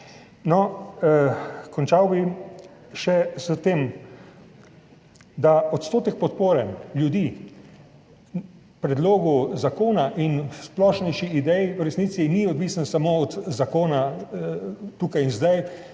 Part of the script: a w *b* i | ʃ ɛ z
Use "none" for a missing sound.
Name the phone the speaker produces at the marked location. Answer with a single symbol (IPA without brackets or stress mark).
b